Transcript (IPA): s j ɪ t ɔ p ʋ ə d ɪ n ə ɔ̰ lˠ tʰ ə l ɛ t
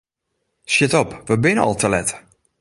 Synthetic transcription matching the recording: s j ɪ t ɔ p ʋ ə b ɪ n ə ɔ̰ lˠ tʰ ə l ɛ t